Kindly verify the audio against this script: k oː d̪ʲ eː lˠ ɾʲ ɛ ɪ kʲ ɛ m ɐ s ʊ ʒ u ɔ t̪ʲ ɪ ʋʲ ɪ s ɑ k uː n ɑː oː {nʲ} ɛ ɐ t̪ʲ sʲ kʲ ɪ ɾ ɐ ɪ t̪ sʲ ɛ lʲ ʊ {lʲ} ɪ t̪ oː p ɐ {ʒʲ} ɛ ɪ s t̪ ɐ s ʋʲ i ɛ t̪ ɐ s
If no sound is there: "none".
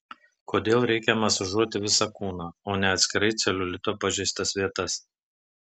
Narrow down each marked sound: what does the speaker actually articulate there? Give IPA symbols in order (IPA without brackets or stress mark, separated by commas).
nʲ, lʲ, ʒʲ